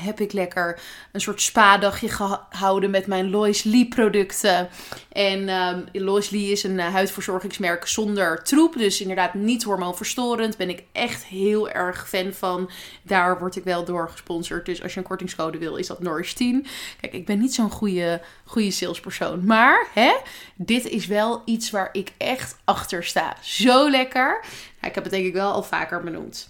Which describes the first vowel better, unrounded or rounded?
unrounded